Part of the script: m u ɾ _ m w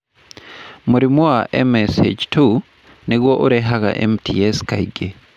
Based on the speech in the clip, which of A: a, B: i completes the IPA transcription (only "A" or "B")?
B